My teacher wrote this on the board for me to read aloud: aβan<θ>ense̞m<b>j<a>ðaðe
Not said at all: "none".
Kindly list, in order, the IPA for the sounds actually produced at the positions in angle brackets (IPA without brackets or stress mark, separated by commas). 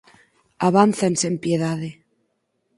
θ, p, e